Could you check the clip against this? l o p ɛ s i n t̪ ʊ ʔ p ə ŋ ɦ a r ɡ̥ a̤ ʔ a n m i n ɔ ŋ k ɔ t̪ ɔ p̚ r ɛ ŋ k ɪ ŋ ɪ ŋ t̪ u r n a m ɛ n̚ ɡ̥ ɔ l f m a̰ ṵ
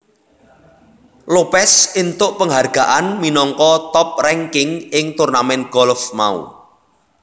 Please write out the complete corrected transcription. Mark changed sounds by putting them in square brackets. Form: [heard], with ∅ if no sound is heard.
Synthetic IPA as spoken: l o p ɛ s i n t̪ ʊ ʔ p ə ŋ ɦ a r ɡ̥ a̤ ʔ a n m i n ɔ ŋ k ɔ t̪ ɔ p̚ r ɛ ŋ k ɪ ŋ ɪ ŋ t̪ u r n a m ɛ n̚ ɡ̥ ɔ l f m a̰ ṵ

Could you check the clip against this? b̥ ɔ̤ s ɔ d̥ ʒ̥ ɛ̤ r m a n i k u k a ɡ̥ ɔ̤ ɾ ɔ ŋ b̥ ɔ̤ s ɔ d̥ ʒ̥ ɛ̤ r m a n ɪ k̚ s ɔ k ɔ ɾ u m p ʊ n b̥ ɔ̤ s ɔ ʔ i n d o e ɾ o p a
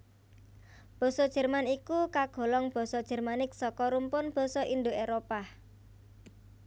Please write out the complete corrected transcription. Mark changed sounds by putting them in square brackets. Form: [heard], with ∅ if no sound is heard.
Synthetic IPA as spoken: b̥ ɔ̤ s ɔ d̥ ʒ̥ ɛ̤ r m a n i k u k a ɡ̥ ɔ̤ [l] ɔ ŋ b̥ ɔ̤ s ɔ d̥ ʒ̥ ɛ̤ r m a n ɪ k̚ s ɔ k ɔ ɾ u m p ʊ n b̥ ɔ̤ s ɔ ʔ i n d o e ɾ o p a

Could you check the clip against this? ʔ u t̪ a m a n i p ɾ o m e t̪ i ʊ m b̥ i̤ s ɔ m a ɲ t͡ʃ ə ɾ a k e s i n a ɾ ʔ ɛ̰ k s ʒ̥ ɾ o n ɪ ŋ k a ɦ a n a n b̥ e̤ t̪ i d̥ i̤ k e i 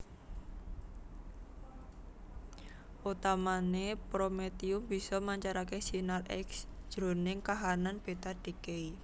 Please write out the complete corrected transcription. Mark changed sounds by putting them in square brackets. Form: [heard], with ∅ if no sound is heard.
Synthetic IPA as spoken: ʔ u t̪ a m a n [e] p ɾ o m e t̪ i ʊ m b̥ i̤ s ɔ m a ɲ t͡ʃ [a] ɾ a k e s i n a [l] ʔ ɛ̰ k s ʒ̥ ɾ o n ɪ ŋ k a ɦ a n a n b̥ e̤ t̪ [a] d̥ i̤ k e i

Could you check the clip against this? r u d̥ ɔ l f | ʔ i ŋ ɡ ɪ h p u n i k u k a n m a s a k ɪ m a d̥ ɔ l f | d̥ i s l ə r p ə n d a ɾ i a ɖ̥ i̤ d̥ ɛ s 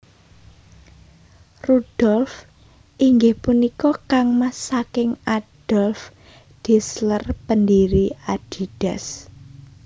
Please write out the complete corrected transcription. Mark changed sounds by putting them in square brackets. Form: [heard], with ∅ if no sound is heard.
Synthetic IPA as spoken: r u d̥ ɔ l f | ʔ i ŋ ɡ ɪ h p u n i k [ɔ] k a [ŋ] m a s a k ɪ [ŋ] a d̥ ɔ l f | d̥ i s l ə r p ə n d [i] ɾ i a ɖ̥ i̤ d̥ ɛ s

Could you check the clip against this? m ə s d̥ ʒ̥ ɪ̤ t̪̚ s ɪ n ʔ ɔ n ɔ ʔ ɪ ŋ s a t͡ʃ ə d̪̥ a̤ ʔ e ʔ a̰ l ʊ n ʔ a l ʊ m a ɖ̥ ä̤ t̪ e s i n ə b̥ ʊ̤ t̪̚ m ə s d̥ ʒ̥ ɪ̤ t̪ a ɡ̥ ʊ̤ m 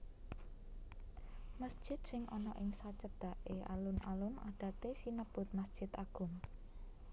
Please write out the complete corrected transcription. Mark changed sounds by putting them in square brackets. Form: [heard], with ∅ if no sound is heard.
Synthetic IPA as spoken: m ə s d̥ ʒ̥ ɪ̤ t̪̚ s ɪ [ŋ] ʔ ɔ n ɔ ʔ ɪ ŋ s a t͡ʃ ə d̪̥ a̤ ʔ e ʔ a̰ l ʊ n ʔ a l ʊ m a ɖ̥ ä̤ t̪ e s i n ə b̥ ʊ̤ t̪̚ m ə s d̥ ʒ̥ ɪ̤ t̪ a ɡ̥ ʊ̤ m

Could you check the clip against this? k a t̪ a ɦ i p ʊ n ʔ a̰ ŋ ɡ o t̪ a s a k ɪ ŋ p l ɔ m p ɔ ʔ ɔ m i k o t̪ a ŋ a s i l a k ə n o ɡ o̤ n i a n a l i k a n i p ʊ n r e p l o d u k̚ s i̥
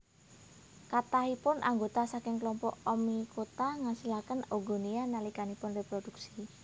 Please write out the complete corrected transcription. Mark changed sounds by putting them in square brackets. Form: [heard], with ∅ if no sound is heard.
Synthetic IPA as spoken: k a t̪ a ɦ i p ʊ n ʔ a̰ ŋ ɡ o t̪ a s a k ɪ ŋ [k] l ɔ m p ɔ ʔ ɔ m i k o t̪ a ŋ a s i l a k ə n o ɡ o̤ n i a n a l i k a n i p ʊ n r e p [ɾ] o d u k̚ s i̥

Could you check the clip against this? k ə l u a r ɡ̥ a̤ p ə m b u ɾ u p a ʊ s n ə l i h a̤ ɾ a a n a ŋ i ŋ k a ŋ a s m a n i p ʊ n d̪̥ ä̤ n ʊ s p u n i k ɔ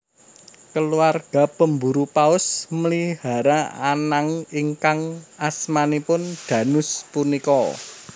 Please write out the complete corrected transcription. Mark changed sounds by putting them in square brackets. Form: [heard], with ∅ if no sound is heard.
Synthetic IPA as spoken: k ə l u a r ɡ̥ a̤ p ə m b u ɾ u p a ʊ s [m] ə l i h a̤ ɾ a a n a ŋ i ŋ k a ŋ a s m a n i p ʊ n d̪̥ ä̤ n ʊ s p u n i k ɔ

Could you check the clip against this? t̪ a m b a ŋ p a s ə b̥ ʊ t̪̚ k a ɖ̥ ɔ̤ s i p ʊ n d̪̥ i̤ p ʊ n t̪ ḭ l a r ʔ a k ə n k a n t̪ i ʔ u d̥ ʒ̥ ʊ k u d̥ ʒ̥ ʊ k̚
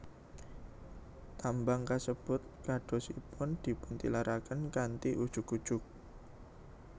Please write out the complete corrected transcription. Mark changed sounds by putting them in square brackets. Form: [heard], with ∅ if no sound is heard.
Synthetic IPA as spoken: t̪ a m b a ŋ [k] a s ə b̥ ʊ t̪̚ k a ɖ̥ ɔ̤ s i p ʊ n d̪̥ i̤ p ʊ n t̪ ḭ l a [ɾ] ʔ a k ə n k a n t̪ i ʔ u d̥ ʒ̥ ʊ k u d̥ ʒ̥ ʊ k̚

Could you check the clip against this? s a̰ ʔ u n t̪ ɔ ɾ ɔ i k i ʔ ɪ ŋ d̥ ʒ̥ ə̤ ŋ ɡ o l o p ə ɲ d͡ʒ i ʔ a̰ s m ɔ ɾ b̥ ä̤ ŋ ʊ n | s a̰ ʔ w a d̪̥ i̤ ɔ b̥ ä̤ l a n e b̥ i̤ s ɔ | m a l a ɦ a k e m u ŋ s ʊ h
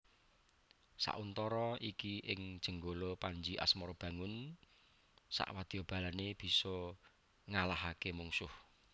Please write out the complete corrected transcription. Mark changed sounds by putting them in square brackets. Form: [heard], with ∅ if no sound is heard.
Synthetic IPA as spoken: s a̰ ʔ u n t̪ ɔ ɾ ɔ i k i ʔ ɪ ŋ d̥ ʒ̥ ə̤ ŋ ɡ o l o p [a] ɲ d͡ʒ i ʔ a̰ s m ɔ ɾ b̥ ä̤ ŋ ʊ n | s a̰ ʔ w a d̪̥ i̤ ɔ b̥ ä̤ l a n e b̥ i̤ s ɔ | [ŋ] a l a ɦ a k e m u ŋ s ʊ h

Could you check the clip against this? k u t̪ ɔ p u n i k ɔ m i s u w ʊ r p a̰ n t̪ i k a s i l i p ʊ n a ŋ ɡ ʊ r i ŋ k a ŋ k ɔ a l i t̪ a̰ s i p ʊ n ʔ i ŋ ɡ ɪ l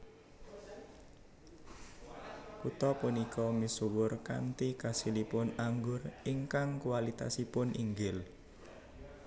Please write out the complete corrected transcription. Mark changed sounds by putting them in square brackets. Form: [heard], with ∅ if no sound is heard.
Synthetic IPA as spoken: k u t̪ ɔ p u n i k ɔ m i s u w ʊ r [k] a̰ n t̪ i k a s i l i p ʊ n a ŋ ɡ ʊ r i ŋ k a ŋ k [u] a l i t̪ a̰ s i p ʊ n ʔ i ŋ ɡ ɪ l

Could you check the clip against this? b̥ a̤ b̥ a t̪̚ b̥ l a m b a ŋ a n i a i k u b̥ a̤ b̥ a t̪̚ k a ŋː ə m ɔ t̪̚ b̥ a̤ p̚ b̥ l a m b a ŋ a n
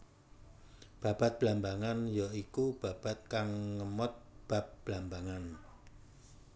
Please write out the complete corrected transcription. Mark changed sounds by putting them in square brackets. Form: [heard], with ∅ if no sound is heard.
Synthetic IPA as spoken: b̥ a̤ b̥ a t̪̚ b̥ l a m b a ŋ a n [j] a i k u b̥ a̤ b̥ a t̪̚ k a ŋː ə m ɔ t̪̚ b̥ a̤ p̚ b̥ l a m b a ŋ a n

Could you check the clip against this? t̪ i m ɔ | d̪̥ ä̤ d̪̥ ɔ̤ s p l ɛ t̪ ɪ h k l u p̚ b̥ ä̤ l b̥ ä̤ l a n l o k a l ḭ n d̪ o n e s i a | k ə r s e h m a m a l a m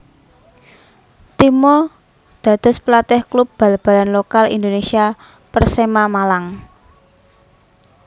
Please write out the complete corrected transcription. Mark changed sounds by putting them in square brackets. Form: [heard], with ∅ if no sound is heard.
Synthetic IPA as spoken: t̪ i m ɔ | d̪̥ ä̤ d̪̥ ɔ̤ s p l [a] t̪ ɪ h k l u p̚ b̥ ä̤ l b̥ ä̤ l a n l o k a l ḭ n d̪ o n e s i a | [p] ə r s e [∅] m a m a l a [ŋ]

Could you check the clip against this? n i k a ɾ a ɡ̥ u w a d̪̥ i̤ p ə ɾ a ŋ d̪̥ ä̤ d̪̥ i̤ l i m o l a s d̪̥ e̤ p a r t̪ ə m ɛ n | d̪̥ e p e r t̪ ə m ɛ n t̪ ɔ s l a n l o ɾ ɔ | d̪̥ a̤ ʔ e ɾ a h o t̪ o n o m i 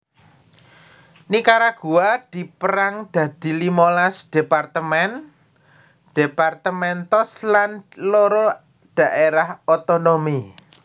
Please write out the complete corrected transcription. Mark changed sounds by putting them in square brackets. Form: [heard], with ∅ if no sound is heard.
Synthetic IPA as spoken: n i k a ɾ a ɡ̥ u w a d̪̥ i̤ p ə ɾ a ŋ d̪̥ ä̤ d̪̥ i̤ l i m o l a s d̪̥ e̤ p a r t̪ ə m ɛ n | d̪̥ e p [a] r t̪ ə m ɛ n t̪ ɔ s l a n l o ɾ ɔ | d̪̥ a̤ ʔ e ɾ a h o t̪ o n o m i

